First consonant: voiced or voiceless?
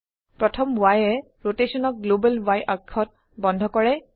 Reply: voiceless